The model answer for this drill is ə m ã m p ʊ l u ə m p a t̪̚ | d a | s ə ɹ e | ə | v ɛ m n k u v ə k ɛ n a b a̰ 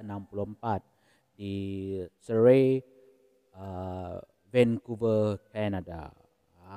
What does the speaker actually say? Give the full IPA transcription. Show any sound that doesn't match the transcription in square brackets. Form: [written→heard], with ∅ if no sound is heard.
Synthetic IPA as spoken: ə [m→n] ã m p [ʊ→u] l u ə m p a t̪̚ | d [a→i] | s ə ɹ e | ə | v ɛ [m→∅] n k u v ə k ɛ n a [b→d] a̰